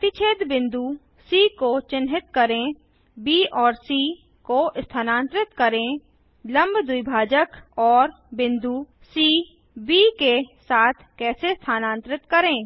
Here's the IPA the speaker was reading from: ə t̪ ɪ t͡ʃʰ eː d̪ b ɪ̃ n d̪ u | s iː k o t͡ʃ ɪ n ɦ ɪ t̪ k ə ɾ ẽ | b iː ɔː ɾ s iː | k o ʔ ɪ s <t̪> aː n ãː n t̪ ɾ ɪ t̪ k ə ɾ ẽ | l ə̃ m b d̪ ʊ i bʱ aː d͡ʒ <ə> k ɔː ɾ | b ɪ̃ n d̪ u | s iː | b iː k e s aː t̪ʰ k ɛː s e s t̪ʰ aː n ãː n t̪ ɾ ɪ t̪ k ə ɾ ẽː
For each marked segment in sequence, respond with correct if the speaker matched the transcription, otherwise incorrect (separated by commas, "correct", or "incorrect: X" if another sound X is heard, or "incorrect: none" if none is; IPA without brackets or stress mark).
incorrect: t̪ʰ, correct